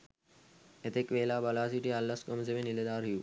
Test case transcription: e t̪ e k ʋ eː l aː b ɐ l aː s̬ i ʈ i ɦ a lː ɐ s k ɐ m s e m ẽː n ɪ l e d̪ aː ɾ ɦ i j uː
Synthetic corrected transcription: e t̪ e k ʋ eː l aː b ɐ l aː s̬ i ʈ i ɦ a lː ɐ s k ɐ m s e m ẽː n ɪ l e d̪ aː ɾ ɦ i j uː